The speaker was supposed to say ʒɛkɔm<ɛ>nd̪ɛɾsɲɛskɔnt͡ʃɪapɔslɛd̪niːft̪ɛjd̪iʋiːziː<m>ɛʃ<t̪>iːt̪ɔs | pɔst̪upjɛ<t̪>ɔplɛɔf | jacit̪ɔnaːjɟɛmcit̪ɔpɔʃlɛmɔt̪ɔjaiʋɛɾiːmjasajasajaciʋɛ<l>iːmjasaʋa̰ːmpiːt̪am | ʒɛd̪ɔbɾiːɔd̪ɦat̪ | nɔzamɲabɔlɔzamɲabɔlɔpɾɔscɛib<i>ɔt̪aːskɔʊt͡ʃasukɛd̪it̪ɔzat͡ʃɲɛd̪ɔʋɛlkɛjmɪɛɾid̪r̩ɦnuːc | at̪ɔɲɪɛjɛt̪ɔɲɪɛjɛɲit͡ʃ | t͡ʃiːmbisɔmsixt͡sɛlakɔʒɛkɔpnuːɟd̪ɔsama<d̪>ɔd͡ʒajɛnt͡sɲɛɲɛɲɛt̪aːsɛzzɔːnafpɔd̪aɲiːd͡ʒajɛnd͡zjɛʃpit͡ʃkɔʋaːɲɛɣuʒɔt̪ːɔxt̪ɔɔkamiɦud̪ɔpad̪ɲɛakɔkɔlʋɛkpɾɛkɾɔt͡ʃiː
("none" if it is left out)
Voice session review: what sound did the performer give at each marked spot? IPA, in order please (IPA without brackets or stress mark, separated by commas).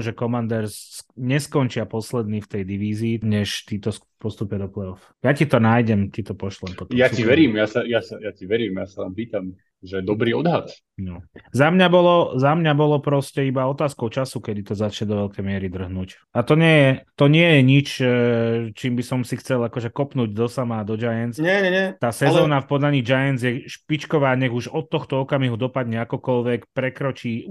a, ɲ, t̪, d̪, ɾ, a, d̪